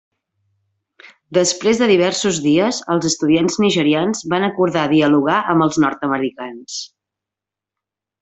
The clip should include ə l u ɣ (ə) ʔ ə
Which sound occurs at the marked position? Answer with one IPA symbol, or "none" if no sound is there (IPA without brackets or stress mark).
a